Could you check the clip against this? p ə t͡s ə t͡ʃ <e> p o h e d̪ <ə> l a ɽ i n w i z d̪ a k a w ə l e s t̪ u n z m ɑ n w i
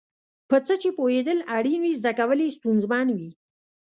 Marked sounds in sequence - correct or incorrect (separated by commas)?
correct, correct